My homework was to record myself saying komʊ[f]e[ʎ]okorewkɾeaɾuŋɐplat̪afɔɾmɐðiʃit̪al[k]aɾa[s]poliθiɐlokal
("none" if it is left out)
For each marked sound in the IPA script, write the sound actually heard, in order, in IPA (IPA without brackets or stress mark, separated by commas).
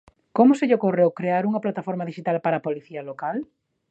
s, ʎ, p, none